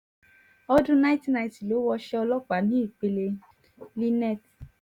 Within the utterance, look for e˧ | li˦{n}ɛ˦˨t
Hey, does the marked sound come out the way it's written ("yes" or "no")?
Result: yes